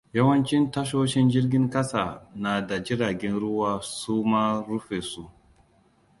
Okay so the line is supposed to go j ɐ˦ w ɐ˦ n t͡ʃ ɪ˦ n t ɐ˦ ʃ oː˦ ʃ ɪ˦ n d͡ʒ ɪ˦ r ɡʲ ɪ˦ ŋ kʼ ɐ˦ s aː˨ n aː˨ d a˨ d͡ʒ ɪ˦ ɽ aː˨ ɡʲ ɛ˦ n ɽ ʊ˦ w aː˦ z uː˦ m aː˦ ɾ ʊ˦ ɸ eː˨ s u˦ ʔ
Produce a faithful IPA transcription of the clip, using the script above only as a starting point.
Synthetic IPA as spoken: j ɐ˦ w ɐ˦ n t͡ʃ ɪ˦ n t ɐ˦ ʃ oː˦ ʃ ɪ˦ n d͡ʒ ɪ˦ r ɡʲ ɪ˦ ŋ k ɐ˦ s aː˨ n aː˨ d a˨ d͡ʒ ɪ˦ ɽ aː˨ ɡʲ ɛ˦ n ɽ ʊ˦ w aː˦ s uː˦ m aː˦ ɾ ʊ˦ ɸ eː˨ s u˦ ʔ